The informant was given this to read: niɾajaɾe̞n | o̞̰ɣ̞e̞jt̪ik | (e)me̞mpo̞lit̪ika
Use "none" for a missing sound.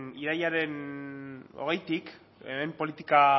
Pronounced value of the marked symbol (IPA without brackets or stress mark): e